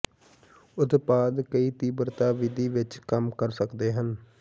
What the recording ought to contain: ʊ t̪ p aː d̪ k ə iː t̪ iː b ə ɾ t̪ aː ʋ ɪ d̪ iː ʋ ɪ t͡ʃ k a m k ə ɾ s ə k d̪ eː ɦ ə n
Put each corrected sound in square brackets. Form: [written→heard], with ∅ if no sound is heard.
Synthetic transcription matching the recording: ʊ t̪ p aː d̪ k ə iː t̪ iː b ə ɾ t̪ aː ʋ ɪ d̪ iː ʋ ɪ t͡ʃ k [a→ə] m k ə ɾ s ə k d̪ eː ɦ ə n